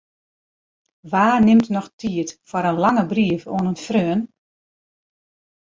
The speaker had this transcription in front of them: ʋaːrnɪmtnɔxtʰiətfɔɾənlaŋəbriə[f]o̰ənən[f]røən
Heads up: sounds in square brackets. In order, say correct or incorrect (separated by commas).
correct, correct